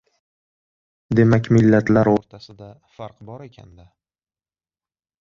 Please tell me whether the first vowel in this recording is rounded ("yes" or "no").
no